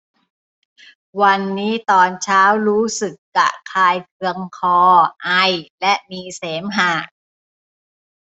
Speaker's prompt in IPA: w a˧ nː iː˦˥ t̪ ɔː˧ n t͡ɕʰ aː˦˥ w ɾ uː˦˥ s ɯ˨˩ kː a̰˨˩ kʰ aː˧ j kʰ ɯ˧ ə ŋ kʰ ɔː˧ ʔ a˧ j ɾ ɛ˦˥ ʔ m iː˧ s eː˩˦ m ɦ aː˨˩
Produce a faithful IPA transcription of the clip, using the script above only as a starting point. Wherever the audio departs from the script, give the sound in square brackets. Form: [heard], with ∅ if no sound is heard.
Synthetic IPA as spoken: w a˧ nː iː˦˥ t̪ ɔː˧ n t͡ɕʰ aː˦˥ w ɾ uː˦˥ s ɯ˨˩ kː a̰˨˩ kʰ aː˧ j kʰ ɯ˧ ə ŋ kʰ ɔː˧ ʔ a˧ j [l] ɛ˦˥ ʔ m iː˧ s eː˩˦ m ɦ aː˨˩